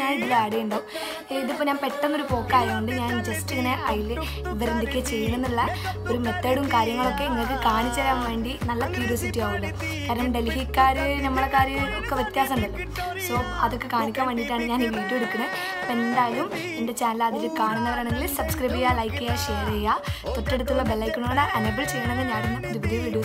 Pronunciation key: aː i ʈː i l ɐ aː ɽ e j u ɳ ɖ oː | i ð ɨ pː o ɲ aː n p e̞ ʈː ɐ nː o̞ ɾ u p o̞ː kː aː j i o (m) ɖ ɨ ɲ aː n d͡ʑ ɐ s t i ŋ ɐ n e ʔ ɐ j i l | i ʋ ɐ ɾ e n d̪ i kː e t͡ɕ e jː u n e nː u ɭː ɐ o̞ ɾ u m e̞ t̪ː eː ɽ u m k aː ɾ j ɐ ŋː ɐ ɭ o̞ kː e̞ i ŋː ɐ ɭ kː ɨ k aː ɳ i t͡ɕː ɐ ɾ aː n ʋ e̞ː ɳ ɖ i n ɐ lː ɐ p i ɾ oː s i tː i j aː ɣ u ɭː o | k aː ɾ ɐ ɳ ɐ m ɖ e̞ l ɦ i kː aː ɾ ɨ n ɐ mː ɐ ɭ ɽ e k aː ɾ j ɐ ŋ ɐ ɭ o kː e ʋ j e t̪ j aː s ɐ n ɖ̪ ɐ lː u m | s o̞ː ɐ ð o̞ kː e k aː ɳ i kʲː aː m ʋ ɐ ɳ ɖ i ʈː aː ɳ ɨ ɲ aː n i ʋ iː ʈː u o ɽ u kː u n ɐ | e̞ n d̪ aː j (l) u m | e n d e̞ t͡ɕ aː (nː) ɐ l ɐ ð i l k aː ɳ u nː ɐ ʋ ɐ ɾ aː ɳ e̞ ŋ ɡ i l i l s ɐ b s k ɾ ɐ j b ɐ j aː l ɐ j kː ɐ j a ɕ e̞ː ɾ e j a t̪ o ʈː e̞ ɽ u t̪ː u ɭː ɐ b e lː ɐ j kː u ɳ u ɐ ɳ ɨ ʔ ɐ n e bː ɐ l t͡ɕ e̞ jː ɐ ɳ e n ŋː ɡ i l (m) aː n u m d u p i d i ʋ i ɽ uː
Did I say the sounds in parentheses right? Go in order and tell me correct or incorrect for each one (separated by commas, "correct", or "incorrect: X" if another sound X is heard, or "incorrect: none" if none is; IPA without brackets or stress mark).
incorrect: ɳ, correct, incorrect: n, incorrect: ɲ